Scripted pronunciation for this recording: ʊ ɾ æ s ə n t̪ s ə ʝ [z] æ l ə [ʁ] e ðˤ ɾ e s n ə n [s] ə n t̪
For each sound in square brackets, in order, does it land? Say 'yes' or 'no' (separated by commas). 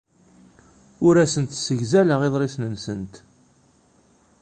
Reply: yes, yes, yes